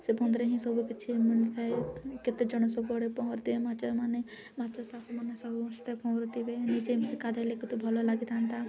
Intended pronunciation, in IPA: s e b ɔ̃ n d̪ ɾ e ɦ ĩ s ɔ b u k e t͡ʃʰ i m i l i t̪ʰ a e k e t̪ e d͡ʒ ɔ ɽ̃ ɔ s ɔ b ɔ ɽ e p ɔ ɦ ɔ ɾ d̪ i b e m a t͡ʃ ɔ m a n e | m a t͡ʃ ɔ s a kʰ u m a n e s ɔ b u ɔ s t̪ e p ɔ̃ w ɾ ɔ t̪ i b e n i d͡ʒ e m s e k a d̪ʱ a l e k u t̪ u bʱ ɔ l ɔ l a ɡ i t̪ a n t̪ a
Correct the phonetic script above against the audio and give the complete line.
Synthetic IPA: s e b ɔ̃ n d̪ ɾ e ɦ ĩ s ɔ b u k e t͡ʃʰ i m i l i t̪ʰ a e k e t̪ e d͡ʒ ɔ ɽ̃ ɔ s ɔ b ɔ ɽ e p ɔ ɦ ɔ ɾ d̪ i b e m a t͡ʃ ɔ m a n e | m a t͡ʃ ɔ s a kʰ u m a n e s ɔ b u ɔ s t̪ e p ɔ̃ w ɾ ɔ t̪ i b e n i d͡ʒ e m s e k a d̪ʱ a l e k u t̪ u bʱ ɔ l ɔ l a ɡ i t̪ a n t̪ a